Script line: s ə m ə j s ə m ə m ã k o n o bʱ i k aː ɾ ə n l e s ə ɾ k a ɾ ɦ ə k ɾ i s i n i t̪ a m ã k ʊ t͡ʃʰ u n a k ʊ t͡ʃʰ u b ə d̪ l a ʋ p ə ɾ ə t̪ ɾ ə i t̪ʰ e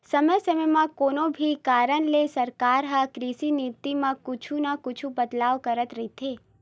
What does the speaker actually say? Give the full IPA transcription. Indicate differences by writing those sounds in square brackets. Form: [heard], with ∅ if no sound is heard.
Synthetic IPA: s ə m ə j s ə m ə m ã k o n o bʱ i k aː ɾ ə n l e s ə ɾ k a ɾ ɦ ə k ɾ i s i n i t̪ [i] m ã k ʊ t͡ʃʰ u n a k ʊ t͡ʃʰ u b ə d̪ l a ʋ [k] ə ɾ ə t̪ ɾ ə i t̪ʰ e